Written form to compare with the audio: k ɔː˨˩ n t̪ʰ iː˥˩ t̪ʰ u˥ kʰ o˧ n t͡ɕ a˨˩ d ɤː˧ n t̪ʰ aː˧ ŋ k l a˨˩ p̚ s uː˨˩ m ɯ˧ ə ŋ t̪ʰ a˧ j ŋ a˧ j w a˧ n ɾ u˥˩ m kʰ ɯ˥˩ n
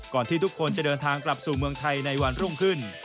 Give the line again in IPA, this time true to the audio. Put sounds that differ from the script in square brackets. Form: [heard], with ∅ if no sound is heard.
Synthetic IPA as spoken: k ɔː˨˩ n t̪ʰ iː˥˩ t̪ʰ u˥ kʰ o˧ n t͡ɕ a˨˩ d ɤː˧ n t̪ʰ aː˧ ŋ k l a˨˩ p̚ s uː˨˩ m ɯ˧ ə ŋ t̪ʰ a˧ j [n] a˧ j w a˧ n ɾ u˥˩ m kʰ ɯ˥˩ n